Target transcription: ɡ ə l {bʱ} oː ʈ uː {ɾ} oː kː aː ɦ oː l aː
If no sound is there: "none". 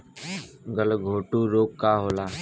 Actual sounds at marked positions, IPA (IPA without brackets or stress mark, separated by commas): ɡʱ, ɾ